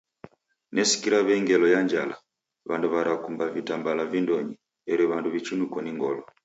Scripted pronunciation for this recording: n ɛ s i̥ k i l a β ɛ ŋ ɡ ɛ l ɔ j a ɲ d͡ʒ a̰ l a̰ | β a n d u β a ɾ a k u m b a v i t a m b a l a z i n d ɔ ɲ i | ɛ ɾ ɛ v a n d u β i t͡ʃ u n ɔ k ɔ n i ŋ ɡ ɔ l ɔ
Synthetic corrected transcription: n ɛ s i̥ k i ɾ a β ɛ ŋ ɡ ɛ l ɔ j a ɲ d͡ʒ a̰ l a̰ | β a n d u β a ɾ a k u m b a v i t a m b a l a v i n d ɔ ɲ i | ɛ ɾ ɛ β a n d u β i t͡ʃ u n u k ɔ n i ŋ ɡ ɔ l ɔ